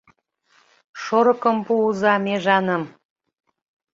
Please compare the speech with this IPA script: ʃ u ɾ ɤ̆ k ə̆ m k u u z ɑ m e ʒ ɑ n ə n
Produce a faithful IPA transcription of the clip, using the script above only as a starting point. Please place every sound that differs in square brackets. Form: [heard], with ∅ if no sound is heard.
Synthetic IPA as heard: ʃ [o] ɾ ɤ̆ k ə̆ m [p] u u z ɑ m e ʒ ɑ n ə [m]